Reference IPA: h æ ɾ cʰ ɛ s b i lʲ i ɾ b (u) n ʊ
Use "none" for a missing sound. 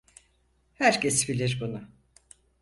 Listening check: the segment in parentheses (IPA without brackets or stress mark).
u